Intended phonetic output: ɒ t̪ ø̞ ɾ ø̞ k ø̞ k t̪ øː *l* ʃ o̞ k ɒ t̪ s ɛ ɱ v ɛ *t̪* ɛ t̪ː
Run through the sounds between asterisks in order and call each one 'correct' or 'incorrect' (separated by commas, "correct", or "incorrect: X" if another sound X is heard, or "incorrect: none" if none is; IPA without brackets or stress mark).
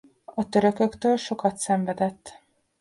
correct, incorrect: d̪